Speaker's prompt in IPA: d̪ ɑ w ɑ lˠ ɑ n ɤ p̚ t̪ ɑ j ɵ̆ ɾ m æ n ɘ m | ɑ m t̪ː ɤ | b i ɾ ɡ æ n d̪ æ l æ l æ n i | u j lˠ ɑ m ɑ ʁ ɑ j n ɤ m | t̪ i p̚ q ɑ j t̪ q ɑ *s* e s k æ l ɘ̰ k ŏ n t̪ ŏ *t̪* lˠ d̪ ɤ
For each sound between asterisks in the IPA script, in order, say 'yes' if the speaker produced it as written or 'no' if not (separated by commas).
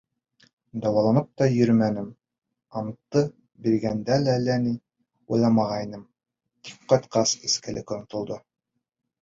yes, no